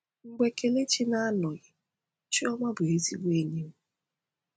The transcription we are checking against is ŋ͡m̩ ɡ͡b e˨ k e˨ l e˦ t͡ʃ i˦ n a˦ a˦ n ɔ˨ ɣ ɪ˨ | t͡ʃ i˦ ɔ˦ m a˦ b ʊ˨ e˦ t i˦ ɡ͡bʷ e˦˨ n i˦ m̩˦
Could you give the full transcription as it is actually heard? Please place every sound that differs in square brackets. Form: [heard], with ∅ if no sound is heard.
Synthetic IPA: ŋ͡m̩ ɡ͡b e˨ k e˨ l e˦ t͡ʃ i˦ n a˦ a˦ n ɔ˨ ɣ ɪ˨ | t͡ʃ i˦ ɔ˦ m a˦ b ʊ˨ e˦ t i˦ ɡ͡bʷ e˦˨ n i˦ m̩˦